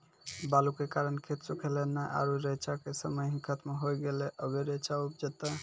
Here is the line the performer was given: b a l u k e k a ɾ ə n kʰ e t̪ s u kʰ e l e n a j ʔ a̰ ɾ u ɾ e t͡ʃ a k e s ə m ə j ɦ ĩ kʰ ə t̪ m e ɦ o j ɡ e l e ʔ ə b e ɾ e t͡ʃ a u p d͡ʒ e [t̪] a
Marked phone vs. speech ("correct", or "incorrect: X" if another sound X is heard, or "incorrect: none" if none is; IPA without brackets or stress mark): correct